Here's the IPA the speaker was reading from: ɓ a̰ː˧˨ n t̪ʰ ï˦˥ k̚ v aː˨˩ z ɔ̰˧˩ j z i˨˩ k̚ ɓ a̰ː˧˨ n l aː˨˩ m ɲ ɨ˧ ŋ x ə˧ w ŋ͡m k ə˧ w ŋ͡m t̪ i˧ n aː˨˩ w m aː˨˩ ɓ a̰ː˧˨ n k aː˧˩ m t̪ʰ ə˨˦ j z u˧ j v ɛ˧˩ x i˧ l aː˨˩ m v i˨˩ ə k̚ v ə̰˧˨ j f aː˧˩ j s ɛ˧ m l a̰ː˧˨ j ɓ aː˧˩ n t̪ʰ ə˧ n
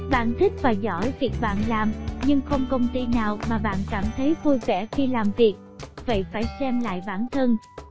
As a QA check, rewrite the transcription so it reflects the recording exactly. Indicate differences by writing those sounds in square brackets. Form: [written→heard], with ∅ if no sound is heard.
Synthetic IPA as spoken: ɓ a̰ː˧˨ n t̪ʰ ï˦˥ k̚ v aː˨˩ z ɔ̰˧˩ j [z→v] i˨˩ k̚ ɓ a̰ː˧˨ n l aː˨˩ m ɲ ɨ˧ ŋ x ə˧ w ŋ͡m k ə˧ w ŋ͡m t̪ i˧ n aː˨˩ w m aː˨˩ ɓ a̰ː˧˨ n k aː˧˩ m t̪ʰ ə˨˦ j [z→v] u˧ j v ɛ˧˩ x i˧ l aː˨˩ m v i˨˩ ə k̚ v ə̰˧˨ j f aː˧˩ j s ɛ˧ m l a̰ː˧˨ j ɓ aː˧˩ n t̪ʰ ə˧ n

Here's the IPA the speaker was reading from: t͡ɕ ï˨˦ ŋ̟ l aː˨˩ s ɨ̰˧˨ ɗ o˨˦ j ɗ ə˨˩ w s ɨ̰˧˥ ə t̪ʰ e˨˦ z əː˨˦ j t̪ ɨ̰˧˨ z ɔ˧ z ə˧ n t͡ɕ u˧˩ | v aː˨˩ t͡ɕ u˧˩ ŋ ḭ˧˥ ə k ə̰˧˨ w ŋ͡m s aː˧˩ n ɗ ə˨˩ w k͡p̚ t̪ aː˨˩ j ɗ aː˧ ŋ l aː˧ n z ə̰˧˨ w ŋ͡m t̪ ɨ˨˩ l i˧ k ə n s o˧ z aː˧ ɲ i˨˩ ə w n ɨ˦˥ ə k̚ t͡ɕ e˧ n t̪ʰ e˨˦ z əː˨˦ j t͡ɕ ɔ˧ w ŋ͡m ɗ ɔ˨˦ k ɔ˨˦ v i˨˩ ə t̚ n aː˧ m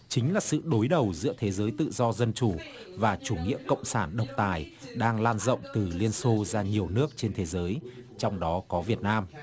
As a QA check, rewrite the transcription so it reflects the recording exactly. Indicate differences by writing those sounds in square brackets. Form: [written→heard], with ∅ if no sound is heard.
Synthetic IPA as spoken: t͡ɕ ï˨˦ ŋ̟ l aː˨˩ s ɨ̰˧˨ ɗ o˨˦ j ɗ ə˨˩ w [s→z] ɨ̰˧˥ ə t̪ʰ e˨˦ z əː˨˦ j t̪ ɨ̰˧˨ z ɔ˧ z ə˧ n t͡ɕ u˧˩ | v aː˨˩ t͡ɕ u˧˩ ŋ ḭ˧˥ ə k ə̰˧˨ w ŋ͡m s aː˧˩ n ɗ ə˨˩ w k͡p̚ t̪ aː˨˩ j ɗ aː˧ ŋ l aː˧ n z ə̰˧˨ w ŋ͡m t̪ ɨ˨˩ l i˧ [k→∅] ə n s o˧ z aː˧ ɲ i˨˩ ə w n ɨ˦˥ ə k̚ t͡ɕ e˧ n t̪ʰ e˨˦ z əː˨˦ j t͡ɕ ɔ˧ w ŋ͡m ɗ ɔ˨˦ k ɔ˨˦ v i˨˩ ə t̚ n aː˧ m

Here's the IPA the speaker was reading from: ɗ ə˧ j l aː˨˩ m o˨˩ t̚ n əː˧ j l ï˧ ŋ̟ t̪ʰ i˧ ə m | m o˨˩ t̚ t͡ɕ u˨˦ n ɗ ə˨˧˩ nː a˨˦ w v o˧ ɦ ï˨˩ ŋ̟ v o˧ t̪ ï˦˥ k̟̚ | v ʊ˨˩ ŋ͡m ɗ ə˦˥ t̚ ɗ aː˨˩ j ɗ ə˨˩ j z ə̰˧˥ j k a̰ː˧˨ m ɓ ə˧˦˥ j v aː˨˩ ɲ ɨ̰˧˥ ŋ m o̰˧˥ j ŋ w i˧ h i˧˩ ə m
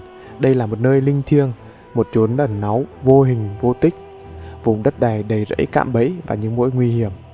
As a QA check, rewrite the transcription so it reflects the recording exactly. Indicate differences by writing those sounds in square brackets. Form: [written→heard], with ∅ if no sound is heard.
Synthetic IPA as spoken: ɗ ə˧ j l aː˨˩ m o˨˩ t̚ n əː˧ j l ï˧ ŋ̟ t̪ʰ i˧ ə [m→ŋ] | m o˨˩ t̚ t͡ɕ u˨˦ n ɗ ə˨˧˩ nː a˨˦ w v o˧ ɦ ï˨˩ ŋ̟ v o˧ t̪ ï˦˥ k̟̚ | v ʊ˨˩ ŋ͡m ɗ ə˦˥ t̚ ɗ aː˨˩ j ɗ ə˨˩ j z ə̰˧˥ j k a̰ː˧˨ m ɓ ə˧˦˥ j v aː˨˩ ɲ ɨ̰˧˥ ŋ m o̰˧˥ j ŋ w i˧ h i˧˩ ə m

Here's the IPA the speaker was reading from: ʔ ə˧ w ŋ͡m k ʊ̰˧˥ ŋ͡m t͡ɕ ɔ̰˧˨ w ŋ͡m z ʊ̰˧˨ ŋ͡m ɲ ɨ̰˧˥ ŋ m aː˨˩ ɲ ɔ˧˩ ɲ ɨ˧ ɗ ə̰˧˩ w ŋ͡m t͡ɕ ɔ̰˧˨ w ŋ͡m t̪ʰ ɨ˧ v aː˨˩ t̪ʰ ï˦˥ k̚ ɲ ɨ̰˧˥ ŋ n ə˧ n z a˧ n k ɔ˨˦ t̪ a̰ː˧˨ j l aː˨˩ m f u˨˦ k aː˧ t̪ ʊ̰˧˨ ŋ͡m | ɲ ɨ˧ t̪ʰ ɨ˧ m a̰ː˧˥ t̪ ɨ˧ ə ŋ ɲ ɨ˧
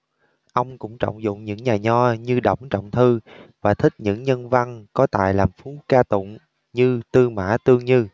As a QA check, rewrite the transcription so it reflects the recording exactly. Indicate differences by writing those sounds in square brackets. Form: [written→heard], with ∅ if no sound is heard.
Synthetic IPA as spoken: ʔ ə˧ w ŋ͡m k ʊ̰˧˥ ŋ͡m t͡ɕ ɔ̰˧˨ w ŋ͡m z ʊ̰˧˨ ŋ͡m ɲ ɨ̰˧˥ ŋ [m→ɲ] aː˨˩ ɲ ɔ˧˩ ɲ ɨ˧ ɗ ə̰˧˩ w ŋ͡m t͡ɕ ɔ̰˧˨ w ŋ͡m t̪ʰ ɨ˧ v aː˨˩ t̪ʰ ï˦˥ k̚ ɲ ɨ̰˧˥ ŋ [n→ɲ] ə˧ n [z→v] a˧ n k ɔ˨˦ t̪ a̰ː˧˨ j l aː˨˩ m f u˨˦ k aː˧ t̪ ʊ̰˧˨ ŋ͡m | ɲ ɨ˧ [t̪ʰ→t̪] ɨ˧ m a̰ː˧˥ t̪ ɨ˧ ə ŋ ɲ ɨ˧

